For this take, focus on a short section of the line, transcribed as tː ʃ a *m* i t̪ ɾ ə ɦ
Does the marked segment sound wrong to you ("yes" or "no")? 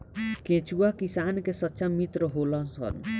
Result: no